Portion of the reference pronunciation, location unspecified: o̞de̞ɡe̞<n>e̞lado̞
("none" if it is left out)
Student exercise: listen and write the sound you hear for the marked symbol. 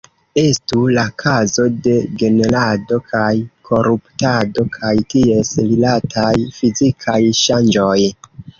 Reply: n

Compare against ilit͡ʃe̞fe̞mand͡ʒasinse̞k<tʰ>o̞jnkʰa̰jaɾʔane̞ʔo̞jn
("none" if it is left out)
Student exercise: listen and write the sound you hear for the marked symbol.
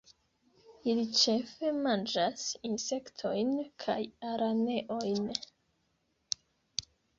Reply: tʰ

